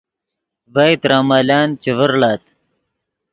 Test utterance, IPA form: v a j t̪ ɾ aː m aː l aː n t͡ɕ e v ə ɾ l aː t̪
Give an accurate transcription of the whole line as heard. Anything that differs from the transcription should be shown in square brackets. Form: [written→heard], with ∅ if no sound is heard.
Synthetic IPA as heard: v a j t̪ ɾ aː m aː l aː n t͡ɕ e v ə ɾ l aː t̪